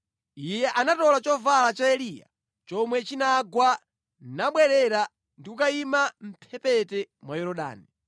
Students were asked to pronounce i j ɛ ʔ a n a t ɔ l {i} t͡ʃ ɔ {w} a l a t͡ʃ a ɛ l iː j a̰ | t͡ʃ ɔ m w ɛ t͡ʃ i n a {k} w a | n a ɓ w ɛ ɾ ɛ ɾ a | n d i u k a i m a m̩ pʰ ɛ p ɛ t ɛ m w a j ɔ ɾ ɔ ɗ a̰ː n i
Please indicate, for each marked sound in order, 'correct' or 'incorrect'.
incorrect: a, incorrect: v, incorrect: ɡ

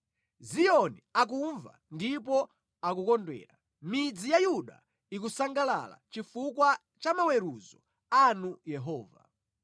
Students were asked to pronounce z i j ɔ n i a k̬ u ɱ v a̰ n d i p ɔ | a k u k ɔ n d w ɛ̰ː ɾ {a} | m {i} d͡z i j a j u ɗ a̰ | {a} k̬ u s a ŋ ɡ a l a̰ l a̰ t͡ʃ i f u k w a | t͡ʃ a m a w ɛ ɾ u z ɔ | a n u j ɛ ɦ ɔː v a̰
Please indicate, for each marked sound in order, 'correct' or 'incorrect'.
correct, correct, incorrect: i

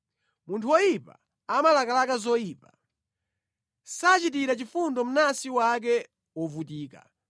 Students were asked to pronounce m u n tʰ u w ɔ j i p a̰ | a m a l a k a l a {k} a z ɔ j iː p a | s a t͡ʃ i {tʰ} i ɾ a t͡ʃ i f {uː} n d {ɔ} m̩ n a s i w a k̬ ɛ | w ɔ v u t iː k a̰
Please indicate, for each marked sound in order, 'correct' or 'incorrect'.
correct, incorrect: t, incorrect: u, correct

